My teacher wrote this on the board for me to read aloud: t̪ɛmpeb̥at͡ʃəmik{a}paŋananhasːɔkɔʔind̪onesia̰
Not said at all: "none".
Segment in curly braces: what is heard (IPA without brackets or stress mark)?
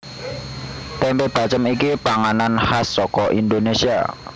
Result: i